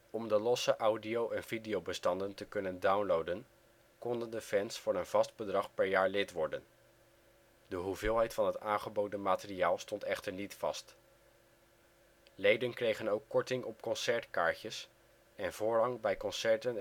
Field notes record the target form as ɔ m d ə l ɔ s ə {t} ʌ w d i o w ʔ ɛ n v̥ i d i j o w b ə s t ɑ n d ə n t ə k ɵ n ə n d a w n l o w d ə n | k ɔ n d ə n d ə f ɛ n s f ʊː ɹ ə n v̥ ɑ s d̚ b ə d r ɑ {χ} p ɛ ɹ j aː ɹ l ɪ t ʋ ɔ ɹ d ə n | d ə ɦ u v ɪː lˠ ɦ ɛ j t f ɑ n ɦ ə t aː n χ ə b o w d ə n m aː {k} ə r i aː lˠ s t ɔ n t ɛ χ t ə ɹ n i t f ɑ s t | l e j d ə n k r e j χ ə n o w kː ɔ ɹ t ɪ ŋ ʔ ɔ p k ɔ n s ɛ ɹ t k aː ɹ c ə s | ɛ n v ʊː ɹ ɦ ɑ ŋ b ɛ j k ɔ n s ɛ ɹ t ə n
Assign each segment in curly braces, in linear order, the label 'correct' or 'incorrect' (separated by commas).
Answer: incorrect, correct, incorrect